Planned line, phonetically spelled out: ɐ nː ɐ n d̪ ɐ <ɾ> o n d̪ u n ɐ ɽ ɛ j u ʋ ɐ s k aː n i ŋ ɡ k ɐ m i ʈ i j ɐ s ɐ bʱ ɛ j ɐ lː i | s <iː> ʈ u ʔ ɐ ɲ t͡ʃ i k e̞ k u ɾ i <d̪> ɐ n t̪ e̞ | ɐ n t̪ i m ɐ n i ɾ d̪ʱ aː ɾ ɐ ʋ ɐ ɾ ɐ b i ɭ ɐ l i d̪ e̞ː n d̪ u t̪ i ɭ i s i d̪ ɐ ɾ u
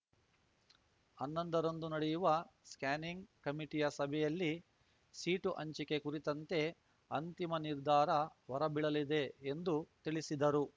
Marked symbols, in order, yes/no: yes, yes, no

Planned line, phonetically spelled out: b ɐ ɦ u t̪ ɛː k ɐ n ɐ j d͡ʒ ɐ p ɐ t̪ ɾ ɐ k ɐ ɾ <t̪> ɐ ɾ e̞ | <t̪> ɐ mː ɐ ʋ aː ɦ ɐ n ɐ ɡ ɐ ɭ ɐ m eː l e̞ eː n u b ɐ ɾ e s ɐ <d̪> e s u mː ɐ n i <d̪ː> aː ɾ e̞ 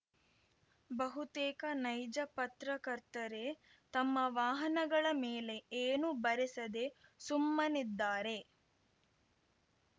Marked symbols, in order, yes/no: yes, yes, yes, yes

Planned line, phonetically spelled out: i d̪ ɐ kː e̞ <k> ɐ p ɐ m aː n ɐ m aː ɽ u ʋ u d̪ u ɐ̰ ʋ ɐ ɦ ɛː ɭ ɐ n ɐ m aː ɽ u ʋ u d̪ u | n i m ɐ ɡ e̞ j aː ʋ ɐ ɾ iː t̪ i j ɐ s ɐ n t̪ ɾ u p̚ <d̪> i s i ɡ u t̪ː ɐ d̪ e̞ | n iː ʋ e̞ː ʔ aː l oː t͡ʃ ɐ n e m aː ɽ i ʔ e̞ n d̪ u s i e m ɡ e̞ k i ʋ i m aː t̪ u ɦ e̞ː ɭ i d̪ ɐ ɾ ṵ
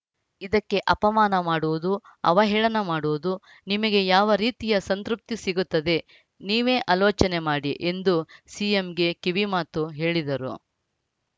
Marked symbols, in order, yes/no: no, no

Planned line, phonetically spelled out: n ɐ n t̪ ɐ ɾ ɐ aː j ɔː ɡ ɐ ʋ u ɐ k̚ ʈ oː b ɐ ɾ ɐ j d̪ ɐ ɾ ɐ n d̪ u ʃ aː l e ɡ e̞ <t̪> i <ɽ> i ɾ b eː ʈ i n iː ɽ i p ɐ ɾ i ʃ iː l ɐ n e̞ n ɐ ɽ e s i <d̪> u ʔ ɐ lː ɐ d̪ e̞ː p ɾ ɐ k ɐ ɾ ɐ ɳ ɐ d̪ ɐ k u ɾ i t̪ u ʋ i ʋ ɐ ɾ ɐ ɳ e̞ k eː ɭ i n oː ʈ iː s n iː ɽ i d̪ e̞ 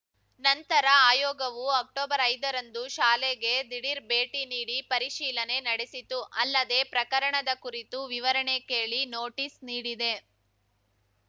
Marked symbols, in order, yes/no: no, yes, no

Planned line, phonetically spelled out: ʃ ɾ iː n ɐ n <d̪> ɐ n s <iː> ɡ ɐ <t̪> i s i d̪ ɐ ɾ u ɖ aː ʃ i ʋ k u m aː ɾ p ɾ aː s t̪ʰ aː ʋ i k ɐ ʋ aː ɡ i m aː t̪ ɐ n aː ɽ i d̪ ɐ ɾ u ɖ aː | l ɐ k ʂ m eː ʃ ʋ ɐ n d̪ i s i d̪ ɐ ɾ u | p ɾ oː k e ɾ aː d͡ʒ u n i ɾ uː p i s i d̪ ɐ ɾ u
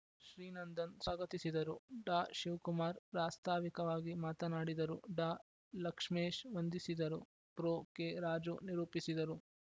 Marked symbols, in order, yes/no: yes, no, yes

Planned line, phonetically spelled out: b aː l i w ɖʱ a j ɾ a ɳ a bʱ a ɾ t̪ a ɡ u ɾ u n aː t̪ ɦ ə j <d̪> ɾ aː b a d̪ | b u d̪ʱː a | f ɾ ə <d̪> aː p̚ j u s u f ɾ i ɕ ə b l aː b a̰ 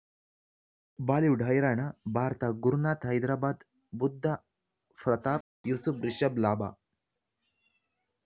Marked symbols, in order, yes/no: yes, no

